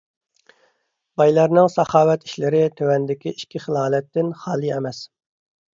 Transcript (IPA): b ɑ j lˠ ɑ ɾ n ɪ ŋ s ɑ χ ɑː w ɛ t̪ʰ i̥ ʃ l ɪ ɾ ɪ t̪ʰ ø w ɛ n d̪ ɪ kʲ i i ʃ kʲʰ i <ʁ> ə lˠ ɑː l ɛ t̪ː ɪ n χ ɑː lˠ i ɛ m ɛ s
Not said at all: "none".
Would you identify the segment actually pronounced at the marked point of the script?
χ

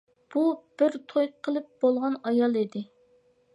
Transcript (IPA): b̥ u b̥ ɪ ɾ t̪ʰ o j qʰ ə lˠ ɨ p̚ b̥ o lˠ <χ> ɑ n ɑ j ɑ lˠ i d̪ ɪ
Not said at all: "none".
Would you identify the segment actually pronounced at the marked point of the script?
ʁ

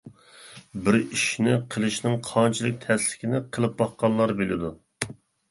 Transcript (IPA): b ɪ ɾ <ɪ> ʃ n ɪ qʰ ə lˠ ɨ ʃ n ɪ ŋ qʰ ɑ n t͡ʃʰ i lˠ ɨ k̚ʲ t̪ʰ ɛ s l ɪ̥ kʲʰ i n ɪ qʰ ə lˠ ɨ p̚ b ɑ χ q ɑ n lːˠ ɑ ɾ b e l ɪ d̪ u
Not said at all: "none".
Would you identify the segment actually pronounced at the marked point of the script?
i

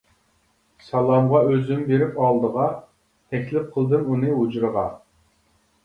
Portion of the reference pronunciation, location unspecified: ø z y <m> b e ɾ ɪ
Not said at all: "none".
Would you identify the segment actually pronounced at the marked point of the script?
m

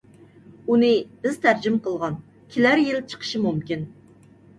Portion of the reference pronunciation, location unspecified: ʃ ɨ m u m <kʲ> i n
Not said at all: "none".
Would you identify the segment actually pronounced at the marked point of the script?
kʲ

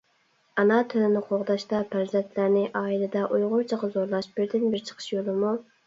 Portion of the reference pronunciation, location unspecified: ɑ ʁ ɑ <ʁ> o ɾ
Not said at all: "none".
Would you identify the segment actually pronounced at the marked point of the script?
z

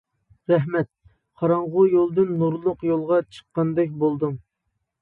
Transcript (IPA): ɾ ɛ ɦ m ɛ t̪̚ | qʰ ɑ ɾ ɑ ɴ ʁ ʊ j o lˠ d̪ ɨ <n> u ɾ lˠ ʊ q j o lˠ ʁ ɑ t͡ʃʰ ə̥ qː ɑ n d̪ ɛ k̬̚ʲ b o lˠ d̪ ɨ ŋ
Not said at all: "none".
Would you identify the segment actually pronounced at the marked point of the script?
nː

